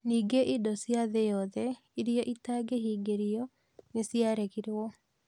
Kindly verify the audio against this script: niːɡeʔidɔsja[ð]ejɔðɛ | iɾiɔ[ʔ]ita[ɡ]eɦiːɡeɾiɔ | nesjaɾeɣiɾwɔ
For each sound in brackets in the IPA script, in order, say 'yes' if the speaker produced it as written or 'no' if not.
yes, yes, yes

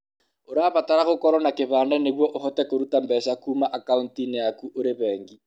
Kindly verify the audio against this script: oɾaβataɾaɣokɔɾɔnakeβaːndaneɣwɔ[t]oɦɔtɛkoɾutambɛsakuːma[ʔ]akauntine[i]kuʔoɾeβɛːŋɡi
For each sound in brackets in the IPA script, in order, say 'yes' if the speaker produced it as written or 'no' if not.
no, yes, no

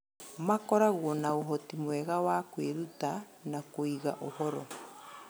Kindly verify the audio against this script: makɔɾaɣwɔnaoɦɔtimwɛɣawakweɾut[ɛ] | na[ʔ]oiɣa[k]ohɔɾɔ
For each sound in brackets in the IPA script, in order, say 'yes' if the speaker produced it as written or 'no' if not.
no, no, no

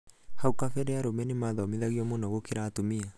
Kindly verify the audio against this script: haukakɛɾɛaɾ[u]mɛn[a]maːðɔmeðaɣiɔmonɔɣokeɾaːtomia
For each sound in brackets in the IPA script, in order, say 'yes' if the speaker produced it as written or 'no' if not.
no, no

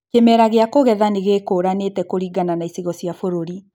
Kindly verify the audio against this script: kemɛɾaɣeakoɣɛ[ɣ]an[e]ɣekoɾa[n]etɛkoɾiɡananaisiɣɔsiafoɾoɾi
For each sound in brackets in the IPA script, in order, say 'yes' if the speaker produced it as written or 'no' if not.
no, yes, yes

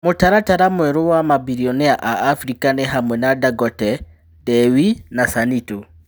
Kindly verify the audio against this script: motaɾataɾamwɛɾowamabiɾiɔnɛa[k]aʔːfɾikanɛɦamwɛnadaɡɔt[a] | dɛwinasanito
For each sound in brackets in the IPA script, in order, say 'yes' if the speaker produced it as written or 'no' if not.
no, no

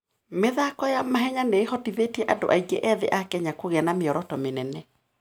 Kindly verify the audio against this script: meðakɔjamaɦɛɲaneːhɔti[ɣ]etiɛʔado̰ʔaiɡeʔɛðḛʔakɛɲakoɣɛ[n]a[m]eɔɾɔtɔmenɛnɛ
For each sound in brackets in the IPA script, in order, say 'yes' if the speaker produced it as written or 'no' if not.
no, yes, yes

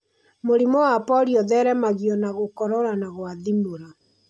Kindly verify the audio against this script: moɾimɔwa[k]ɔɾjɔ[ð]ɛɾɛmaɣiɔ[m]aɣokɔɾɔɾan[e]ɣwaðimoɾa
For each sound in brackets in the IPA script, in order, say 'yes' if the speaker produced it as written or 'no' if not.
no, yes, no, no

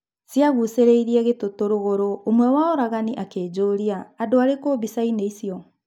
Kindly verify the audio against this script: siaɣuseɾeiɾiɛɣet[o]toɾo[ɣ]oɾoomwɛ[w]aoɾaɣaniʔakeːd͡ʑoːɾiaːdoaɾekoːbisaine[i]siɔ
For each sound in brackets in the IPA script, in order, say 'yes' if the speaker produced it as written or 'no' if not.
yes, yes, yes, yes

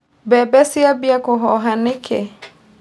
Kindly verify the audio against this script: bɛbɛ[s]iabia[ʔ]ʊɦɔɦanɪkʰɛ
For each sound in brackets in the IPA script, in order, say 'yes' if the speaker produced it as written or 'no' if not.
yes, no

